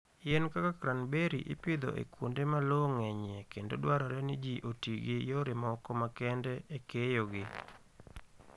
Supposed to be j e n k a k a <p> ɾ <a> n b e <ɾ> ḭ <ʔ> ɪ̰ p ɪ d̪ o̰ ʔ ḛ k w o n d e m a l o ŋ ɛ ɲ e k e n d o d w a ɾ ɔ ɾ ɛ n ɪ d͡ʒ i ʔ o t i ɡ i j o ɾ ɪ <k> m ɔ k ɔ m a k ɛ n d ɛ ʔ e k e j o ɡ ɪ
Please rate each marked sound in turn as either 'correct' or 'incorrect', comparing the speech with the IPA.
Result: incorrect: k, correct, correct, correct, incorrect: none

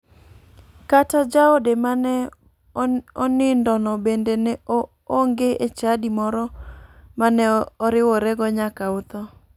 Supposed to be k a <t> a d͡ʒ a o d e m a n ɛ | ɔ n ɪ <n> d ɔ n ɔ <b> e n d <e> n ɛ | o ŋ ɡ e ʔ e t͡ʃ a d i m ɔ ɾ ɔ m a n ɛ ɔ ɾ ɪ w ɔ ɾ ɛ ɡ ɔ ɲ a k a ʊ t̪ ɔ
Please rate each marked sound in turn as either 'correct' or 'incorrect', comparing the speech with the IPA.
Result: correct, correct, correct, correct

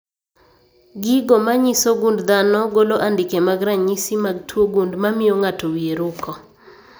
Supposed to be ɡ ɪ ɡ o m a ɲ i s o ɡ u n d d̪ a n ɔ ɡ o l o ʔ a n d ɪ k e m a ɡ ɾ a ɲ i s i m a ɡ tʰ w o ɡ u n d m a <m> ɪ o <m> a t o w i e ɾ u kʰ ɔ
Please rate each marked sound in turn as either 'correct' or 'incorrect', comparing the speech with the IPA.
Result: correct, incorrect: ŋ

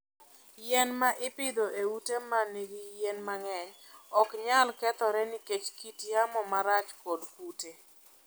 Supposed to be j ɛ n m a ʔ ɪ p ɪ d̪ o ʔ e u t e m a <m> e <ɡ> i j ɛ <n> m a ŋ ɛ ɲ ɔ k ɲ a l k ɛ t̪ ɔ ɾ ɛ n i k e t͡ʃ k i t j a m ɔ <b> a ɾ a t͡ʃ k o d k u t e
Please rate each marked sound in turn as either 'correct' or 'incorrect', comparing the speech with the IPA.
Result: incorrect: n, correct, correct, incorrect: m

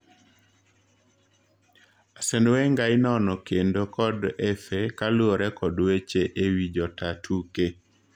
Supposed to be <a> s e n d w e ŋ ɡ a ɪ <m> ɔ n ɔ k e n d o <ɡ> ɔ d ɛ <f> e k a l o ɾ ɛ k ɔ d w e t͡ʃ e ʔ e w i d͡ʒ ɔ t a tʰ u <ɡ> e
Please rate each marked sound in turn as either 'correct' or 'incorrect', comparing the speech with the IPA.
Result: correct, incorrect: n, incorrect: k, correct, incorrect: k

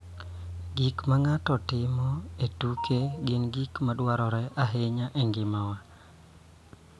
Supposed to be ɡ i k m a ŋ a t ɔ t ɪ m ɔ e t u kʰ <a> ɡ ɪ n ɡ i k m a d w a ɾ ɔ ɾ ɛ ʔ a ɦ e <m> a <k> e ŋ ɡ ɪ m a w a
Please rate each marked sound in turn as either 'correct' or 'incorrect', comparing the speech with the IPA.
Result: incorrect: e, incorrect: ɲ, incorrect: ʔ

